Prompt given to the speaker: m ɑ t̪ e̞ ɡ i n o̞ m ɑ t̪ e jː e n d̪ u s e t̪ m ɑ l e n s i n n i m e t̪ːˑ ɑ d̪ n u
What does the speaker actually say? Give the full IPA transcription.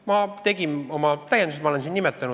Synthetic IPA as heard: m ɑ t̪ e̞ ɡ i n o̞ m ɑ t̪ æ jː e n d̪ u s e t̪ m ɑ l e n s i n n i m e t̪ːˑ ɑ n u